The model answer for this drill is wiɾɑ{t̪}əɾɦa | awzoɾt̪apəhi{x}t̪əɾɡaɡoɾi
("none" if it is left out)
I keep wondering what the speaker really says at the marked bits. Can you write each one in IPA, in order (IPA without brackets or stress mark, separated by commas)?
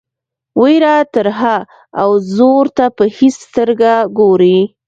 t̪, s